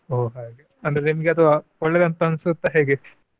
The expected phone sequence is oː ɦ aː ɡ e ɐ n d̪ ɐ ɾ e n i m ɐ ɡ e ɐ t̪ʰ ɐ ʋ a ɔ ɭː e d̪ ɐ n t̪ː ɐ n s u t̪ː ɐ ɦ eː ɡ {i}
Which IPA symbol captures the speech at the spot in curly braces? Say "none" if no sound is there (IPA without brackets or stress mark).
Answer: e